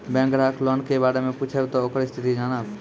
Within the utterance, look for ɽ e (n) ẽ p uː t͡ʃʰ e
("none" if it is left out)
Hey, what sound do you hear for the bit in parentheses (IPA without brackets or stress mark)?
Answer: m